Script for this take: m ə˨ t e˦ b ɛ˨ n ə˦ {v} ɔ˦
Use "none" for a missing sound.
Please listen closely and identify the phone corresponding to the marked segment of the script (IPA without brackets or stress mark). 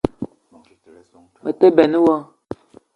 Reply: w